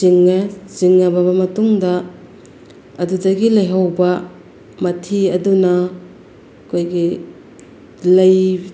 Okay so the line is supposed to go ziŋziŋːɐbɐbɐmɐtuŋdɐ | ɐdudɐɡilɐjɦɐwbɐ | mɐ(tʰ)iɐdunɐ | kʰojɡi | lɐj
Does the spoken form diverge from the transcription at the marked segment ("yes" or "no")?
no